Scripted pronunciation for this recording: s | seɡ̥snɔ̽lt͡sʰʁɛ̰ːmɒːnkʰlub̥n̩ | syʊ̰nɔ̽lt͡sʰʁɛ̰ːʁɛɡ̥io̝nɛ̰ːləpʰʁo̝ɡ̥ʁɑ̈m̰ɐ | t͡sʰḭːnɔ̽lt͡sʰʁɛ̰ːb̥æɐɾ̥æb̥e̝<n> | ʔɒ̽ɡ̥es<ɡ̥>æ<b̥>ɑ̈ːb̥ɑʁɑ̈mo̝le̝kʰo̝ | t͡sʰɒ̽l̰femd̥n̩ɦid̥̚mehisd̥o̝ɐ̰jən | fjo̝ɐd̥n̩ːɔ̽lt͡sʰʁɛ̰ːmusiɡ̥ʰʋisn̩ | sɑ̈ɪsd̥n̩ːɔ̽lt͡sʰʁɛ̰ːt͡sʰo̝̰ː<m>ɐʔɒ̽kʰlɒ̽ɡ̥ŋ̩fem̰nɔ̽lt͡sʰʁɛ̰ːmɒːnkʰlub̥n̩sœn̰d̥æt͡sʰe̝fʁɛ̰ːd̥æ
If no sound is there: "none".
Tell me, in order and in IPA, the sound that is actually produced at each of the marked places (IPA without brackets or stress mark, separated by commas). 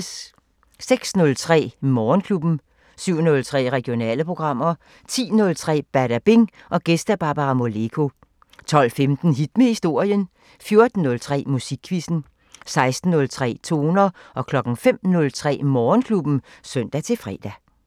ŋ, d̥, b̥, n